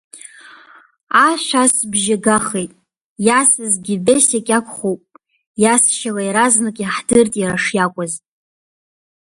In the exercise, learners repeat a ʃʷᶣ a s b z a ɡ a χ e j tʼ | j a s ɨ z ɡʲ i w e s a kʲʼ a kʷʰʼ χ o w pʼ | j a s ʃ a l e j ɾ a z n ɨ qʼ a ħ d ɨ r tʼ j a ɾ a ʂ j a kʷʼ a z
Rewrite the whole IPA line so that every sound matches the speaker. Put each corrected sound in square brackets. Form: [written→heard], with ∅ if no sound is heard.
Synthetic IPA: a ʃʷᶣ a s b [z→ʒ] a ɡ a χ e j tʼ | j a s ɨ z ɡʲ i [w→b] e s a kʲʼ a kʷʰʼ χ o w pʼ | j a s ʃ a l [e→a] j ɾ a z n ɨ [qʼ→kʼ] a ħ d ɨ r tʼ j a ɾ a ʂ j a kʷʼ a z